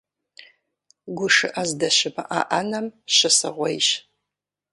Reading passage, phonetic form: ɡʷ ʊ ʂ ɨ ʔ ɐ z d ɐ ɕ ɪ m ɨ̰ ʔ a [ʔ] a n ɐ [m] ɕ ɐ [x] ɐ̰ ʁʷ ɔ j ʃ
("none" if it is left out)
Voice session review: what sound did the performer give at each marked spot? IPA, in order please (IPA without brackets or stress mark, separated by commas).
ʔ, m, s